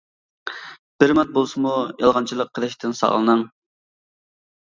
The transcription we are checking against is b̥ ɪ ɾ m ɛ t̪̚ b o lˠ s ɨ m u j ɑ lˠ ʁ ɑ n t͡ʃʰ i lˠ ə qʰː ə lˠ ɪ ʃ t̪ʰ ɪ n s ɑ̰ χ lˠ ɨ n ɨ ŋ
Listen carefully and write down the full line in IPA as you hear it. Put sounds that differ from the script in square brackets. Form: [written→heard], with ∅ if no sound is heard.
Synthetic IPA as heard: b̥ ɪ ɾ m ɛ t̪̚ b o lˠ s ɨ m u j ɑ lˠ ʁ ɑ n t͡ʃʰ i lˠ ə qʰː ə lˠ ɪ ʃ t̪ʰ ɪ n s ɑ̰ [χ→ʁ] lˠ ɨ n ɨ ŋ